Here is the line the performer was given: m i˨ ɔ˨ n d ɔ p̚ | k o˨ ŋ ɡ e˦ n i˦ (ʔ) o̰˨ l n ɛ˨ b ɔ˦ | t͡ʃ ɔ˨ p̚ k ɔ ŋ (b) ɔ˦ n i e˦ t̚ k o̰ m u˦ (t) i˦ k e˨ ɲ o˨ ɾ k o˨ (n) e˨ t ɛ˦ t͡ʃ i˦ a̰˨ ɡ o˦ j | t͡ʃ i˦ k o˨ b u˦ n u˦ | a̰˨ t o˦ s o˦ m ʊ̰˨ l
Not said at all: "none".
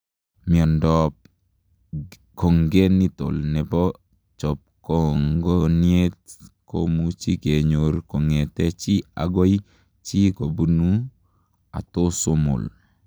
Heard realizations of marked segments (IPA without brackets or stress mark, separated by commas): t, ɡ, t͡ʃ, ŋ